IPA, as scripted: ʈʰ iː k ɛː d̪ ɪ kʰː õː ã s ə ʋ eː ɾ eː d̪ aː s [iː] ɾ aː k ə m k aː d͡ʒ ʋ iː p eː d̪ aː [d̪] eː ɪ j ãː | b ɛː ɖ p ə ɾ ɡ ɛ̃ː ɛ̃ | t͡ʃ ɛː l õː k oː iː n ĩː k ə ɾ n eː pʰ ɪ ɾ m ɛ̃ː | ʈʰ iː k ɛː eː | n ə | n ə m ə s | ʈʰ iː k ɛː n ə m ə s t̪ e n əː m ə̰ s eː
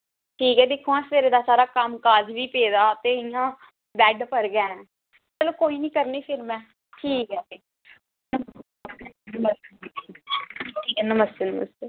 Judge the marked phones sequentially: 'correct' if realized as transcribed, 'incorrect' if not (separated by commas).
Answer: incorrect, incorrect